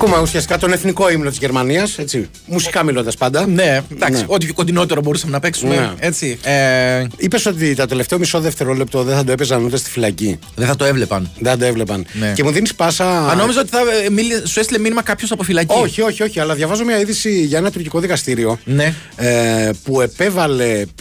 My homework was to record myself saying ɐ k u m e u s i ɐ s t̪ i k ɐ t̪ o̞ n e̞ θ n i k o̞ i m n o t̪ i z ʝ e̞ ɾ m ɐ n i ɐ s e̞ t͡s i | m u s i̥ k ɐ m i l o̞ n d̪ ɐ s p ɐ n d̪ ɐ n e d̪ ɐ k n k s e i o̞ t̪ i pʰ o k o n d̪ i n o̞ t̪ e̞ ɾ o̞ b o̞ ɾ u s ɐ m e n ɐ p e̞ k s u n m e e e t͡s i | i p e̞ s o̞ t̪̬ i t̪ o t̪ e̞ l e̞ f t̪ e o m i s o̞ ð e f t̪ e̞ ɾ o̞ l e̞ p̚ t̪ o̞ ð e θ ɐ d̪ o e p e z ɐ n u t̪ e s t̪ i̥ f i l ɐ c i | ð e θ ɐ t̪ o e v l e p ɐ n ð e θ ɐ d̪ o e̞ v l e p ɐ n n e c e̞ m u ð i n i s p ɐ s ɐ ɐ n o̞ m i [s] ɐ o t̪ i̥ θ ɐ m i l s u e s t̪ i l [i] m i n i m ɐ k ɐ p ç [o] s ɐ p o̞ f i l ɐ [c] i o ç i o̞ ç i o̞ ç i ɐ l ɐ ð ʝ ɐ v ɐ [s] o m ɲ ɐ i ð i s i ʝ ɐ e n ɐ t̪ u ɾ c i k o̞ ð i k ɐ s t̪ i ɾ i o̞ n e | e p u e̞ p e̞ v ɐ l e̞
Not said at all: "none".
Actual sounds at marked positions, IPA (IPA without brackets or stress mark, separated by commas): z, e, o, c, z